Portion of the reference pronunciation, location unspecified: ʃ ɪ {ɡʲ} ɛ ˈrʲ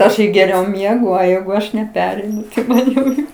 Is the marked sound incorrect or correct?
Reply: correct